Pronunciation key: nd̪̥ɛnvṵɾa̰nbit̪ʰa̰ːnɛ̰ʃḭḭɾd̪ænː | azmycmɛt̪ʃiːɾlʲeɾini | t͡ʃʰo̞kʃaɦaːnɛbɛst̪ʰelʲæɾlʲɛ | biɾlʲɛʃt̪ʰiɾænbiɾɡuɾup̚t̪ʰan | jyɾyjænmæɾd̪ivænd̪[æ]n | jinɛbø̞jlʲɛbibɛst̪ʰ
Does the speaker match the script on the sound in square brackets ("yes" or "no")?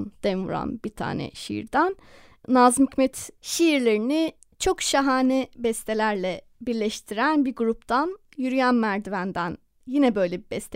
yes